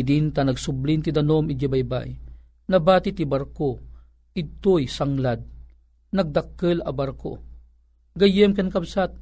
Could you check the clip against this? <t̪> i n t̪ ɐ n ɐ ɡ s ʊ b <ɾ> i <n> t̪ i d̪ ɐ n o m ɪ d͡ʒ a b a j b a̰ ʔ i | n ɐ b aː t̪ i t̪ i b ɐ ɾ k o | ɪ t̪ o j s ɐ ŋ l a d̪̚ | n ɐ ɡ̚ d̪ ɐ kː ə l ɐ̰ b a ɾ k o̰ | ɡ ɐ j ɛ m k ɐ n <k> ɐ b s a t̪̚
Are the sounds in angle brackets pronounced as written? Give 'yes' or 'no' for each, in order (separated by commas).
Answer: no, no, yes, yes